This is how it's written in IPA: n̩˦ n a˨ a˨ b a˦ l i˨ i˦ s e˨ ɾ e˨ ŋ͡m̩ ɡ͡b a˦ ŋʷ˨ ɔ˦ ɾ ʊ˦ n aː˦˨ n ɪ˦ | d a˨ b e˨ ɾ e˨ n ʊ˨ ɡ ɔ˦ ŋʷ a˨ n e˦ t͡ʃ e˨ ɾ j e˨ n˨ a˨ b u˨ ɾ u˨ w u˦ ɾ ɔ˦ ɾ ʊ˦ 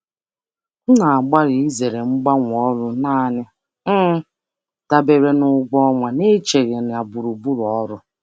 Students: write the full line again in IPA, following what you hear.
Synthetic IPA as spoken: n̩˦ n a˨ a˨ ɡ͡b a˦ ɾ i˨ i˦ z e˨ ɾ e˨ ŋ͡m̩ ɡ͡b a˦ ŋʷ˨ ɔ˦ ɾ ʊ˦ n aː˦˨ n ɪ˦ | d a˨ b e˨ ɾ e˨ n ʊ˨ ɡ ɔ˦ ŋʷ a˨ n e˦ t͡ʃ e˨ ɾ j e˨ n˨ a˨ b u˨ ɾ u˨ b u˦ ɾ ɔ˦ ɾ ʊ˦